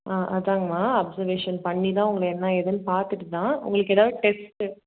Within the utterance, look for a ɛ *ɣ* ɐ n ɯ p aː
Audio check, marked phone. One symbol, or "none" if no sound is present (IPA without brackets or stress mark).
ð